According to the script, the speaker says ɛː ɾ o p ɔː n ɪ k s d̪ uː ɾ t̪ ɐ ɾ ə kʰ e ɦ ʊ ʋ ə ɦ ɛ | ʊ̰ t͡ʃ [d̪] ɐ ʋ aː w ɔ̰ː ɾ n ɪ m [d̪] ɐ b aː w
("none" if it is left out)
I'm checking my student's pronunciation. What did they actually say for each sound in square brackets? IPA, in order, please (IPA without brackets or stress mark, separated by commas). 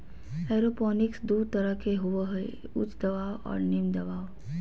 d̪, d̪